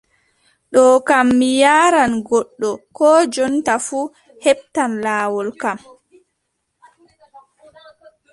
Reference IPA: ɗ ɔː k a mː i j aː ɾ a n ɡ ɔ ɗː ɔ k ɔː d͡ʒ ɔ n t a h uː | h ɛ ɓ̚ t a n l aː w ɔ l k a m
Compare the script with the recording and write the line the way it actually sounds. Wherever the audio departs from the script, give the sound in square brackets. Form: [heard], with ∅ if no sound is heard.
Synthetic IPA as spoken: ɗ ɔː k a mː i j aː ɾ a n ɡ ɔ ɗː ɔ k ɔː d͡ʒ ɔ n t a [f] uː | h ɛ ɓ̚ t a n l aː w ɔ l k a m